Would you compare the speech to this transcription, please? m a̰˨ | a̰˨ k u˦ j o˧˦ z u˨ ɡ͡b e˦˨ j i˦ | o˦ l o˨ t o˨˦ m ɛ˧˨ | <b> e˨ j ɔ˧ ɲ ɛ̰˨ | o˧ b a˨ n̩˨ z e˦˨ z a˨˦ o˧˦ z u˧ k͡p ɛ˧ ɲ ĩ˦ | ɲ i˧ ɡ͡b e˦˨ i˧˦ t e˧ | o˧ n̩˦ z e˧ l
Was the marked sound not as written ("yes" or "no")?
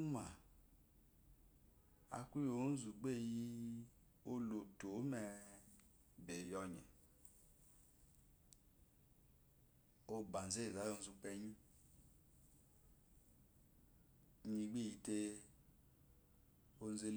no